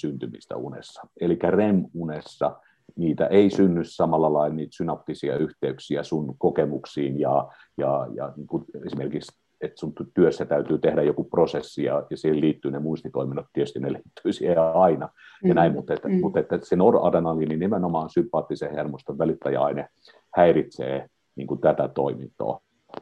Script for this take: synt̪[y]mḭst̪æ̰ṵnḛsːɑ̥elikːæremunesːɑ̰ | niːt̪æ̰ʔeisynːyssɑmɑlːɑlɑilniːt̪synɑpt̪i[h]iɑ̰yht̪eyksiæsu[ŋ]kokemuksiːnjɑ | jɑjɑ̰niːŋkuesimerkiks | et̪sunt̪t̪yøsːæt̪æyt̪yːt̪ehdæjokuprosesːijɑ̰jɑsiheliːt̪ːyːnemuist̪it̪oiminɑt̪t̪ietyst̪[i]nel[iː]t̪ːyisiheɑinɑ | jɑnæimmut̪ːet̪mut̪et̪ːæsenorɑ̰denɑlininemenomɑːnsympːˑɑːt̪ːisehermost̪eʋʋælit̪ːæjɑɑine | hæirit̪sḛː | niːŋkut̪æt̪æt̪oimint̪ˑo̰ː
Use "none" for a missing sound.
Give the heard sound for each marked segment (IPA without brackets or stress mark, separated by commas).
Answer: y, s, n, i, iː